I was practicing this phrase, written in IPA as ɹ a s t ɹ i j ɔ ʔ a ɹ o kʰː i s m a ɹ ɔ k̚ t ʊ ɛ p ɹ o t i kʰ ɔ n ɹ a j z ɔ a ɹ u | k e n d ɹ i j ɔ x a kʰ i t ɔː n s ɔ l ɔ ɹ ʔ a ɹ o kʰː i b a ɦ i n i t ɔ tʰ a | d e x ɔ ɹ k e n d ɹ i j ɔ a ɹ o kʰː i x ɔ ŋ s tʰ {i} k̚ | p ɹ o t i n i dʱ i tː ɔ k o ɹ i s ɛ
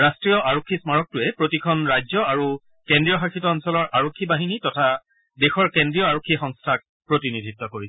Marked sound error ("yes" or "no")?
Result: yes